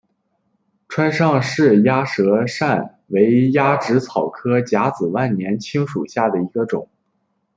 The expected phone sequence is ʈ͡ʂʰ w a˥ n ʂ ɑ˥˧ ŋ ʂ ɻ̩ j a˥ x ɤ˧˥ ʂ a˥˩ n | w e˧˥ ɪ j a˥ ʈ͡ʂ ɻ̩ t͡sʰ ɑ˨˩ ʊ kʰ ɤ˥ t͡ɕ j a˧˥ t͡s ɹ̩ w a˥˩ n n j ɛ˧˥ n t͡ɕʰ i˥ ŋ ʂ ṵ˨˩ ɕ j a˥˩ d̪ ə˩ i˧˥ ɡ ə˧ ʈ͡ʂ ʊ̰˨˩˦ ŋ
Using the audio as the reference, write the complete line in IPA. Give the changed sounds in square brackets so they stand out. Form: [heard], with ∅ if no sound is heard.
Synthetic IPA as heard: ʈ͡ʂʰ w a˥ n ʂ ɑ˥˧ ŋ ʂ ɻ̩ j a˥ [ʂ] ɤ˧˥ ʂ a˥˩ n | w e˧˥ ɪ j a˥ ʈ͡ʂ ɻ̩ t͡sʰ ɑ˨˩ ʊ kʰ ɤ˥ t͡ɕ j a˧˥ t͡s ɹ̩ w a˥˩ n n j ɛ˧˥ n t͡ɕʰ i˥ ŋ ʂ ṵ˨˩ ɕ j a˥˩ d̪ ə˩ i˧˥ ɡ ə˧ ʈ͡ʂ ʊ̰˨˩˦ ŋ